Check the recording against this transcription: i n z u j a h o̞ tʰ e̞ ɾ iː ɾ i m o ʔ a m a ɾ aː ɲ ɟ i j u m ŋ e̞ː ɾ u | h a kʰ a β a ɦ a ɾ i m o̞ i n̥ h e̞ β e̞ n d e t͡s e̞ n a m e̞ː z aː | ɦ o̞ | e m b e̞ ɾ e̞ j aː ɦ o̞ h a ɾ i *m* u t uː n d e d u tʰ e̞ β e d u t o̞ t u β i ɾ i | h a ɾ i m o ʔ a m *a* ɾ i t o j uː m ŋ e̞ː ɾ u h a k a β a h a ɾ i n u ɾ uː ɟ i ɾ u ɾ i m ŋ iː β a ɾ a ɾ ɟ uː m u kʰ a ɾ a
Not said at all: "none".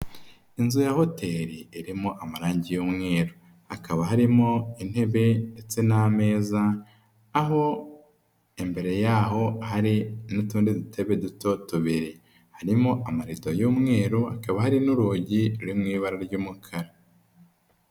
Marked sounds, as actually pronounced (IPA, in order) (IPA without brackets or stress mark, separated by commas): n, a